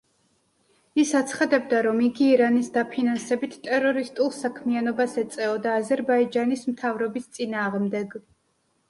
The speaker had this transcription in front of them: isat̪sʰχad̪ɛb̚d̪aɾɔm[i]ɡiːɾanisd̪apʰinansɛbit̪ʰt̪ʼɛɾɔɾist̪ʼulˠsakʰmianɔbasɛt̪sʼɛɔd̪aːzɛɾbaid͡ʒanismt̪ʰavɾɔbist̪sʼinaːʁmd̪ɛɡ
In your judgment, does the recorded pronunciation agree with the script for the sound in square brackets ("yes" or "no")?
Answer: yes